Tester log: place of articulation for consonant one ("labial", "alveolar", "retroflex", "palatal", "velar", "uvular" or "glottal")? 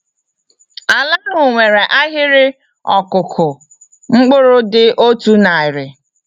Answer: alveolar